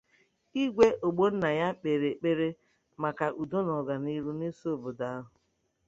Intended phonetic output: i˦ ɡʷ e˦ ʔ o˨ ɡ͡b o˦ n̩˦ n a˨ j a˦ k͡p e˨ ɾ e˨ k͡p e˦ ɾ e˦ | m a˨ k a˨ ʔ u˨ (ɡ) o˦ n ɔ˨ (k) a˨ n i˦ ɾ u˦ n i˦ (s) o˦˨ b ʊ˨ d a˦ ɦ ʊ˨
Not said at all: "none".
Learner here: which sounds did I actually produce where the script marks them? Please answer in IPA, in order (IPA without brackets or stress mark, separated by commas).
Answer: d, ɡ, s